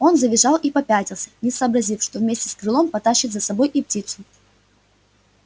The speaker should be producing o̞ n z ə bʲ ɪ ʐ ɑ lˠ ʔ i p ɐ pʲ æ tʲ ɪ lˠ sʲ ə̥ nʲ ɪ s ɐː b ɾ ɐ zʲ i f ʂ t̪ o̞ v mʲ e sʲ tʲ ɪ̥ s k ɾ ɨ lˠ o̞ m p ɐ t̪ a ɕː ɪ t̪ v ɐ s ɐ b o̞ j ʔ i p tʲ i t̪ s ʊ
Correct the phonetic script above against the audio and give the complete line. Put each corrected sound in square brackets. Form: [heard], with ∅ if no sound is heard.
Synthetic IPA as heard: o̞ n z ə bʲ ɪ ʐ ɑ lˠ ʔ i p ɐ pʲ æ tʲ ɪ lˠ sʲ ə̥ nʲ ɪ s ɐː b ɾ ɐ zʲ i f ʂ t̪ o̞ v mʲ e sʲ tʲ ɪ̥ s k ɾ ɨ lˠ o̞ m p ɐ t̪ a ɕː ɪ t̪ [z] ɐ s ɐ b o̞ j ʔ i p tʲ i t̪ s ʊ